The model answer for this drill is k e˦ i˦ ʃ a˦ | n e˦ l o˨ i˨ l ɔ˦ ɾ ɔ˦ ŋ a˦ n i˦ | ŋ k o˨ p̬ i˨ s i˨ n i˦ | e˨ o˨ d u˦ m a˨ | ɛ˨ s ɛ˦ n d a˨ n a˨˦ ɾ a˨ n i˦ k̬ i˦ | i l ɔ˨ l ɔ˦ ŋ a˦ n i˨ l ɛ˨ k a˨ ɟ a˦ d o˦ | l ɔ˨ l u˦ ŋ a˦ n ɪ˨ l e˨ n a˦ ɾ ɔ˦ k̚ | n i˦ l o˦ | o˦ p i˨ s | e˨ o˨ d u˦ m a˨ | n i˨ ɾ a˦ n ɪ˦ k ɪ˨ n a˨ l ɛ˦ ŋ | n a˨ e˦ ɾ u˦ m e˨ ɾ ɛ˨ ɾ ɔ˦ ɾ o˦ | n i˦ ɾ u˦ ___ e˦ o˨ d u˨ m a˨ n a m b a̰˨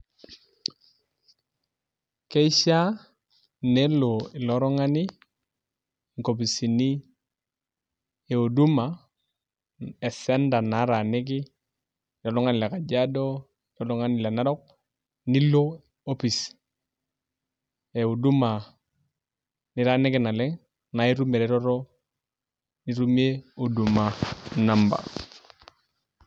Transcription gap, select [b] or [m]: m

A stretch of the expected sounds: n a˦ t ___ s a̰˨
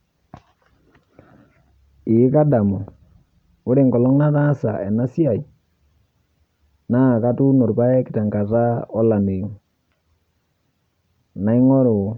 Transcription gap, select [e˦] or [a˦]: a˦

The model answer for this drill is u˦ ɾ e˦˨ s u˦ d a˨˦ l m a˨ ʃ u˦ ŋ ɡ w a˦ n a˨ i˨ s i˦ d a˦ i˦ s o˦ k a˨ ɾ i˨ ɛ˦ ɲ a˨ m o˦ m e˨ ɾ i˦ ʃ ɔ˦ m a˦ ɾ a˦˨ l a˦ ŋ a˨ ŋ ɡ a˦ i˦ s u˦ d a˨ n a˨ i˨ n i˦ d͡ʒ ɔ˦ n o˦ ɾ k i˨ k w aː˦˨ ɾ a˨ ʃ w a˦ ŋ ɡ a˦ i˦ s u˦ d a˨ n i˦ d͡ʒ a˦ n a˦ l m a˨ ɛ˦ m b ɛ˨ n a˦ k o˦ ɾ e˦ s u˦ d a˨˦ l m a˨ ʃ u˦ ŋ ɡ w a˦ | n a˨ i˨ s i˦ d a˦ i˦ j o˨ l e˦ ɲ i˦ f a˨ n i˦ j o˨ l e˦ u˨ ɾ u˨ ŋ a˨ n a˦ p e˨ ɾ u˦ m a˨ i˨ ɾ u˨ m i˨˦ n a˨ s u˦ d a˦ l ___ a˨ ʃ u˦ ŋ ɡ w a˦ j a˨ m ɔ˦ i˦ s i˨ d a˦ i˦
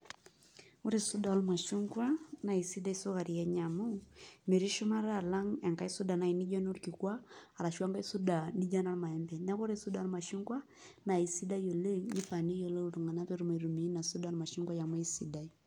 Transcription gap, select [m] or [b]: m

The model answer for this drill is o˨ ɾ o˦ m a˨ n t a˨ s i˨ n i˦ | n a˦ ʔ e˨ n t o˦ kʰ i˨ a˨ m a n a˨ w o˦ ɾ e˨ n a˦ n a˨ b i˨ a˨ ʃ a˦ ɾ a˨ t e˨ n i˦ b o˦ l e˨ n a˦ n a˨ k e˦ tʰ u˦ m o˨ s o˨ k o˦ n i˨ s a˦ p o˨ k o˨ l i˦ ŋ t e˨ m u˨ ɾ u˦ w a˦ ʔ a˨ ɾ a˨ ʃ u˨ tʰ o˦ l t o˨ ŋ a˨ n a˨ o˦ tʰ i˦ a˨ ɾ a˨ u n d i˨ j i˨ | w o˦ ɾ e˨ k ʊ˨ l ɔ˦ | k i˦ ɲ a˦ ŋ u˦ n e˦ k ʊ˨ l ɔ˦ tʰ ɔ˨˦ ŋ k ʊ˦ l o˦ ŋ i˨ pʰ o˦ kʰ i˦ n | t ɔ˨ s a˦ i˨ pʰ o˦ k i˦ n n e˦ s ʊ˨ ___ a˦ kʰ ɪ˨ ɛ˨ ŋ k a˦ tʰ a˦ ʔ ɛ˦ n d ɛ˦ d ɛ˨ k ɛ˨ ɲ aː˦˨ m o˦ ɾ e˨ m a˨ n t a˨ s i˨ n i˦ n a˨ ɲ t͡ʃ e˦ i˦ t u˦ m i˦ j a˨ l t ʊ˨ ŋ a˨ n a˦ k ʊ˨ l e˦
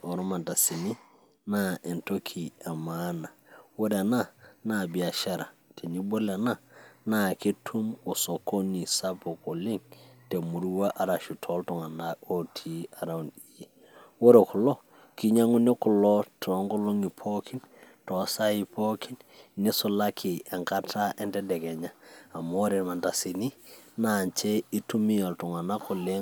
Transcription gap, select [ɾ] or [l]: l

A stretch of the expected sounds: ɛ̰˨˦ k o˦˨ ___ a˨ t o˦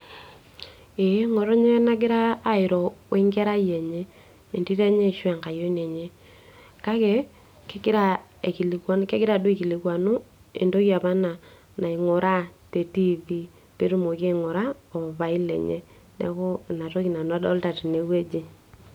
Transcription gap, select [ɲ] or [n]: n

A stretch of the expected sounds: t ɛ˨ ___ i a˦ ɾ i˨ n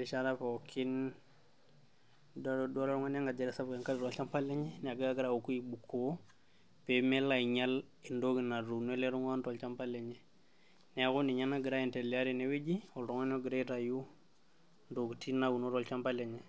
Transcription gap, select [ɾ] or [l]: l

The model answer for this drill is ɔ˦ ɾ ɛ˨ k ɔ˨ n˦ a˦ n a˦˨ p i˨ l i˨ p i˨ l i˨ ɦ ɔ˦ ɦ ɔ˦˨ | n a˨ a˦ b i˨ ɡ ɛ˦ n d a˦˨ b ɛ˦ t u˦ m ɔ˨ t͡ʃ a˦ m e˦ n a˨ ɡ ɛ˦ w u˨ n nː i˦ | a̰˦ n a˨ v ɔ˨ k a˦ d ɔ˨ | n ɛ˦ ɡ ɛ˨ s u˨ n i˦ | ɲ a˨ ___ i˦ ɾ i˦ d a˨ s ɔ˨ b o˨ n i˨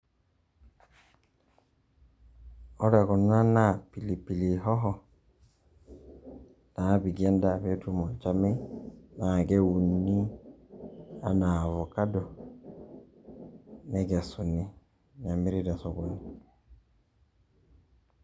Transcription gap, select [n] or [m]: m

